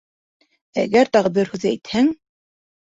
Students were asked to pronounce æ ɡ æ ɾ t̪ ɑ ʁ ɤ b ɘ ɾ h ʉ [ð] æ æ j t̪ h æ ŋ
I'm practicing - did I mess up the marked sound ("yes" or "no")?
no